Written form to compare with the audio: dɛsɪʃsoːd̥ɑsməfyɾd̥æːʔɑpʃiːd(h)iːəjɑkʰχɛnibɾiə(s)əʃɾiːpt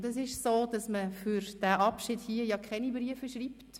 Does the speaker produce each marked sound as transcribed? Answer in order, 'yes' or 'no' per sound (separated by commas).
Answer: yes, no